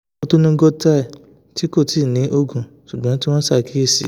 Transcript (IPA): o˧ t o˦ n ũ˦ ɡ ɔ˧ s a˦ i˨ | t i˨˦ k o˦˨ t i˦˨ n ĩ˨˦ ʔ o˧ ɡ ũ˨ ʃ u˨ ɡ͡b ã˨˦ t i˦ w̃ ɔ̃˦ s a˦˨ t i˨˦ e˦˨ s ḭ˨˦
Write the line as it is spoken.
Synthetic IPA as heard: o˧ t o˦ n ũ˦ ɡ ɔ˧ t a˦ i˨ | t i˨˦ k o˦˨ t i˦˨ n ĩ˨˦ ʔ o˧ ɡ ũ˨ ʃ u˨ ɡ͡b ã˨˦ t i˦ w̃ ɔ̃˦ s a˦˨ k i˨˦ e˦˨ s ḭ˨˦